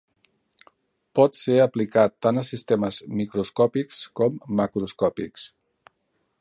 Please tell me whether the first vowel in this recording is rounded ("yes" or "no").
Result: yes